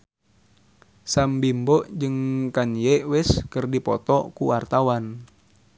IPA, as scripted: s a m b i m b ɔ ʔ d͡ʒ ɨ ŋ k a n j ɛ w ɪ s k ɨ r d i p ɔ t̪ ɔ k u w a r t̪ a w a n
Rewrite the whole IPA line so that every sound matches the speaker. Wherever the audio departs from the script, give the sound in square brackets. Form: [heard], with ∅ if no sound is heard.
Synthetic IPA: s a m b i m b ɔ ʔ d͡ʒ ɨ ŋ k a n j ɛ w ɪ s k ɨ r d i p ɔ t̪ ɔ k u w a r t̪ a w a n

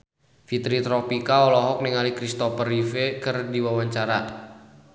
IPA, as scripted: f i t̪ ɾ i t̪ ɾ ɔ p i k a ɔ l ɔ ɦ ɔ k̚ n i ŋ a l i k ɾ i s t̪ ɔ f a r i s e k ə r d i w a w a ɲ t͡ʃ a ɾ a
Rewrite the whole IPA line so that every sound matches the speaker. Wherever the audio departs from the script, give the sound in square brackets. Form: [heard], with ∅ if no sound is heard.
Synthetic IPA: f i t̪ ɾ i t̪ ɾ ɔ p i k a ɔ l ɔ ɦ ɔ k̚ n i ŋ a l i k ɾ i s t̪ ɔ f [ə] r i [f] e k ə r d i w a w a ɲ t͡ʃ a ɾ a

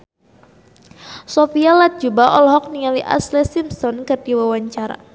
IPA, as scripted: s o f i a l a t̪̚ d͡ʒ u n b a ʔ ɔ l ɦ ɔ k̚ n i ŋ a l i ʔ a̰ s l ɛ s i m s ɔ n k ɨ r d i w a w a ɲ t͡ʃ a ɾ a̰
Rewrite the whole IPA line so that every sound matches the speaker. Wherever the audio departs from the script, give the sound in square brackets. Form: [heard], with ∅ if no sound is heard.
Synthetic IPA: s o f i a l a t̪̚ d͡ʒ u [∅] b a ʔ ɔ l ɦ ɔ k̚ n i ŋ a l i ʔ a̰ s l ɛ s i m s ɔ n k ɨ r d i w a w a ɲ t͡ʃ a ɾ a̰

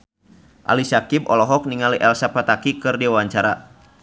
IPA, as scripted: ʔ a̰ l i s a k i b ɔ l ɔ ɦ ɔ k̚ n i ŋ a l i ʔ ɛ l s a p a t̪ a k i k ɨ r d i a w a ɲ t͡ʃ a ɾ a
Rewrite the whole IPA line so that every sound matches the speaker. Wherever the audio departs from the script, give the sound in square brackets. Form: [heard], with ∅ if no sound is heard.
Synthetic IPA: ʔ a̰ l i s a k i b ɔ l ɔ ɦ ɔ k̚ n i ŋ a l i ʔ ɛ l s a p a t̪ a k i k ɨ r d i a w a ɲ t͡ʃ a ɾ a

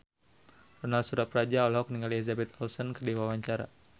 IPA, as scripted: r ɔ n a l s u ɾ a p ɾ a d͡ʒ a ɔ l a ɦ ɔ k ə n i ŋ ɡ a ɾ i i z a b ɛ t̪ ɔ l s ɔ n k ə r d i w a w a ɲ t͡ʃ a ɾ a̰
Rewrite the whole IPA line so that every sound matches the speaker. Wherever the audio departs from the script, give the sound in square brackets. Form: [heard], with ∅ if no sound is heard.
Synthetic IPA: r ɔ n a l s u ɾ a p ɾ a d͡ʒ a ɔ l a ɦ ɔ k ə n i ŋ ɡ a [l] i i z a b ɛ t̪ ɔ l s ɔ n k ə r d i w a w a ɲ t͡ʃ a ɾ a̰

